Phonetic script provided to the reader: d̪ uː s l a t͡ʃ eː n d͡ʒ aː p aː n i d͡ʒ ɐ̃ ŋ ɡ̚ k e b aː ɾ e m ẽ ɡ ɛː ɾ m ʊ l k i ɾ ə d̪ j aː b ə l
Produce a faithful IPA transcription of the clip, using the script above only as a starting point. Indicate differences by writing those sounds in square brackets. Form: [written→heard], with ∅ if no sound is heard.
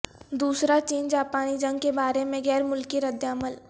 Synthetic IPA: d̪ uː s [l→ɾ] a t͡ʃ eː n d͡ʒ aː p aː n i d͡ʒ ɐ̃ ŋ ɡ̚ k e b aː ɾ e m ẽ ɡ ɛː ɾ m ʊ l k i ɾ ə d̪ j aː [b→m] ə l